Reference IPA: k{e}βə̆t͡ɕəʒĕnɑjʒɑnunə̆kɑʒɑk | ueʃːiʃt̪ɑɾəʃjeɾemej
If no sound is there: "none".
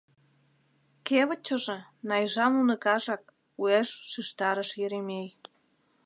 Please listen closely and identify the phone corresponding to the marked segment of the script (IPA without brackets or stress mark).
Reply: e